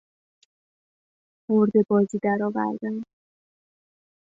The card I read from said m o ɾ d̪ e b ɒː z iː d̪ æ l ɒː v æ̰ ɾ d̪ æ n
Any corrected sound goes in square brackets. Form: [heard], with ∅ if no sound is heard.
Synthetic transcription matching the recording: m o ɾ d̪ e b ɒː z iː d̪ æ [ɾ] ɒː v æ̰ ɾ d̪ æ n